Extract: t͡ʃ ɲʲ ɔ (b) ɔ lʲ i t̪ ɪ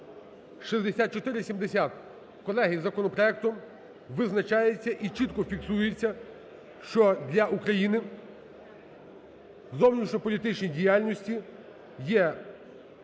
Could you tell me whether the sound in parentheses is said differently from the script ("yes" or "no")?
yes